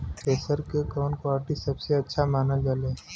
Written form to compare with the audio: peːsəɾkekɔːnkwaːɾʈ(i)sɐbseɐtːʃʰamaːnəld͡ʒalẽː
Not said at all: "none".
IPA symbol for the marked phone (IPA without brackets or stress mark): i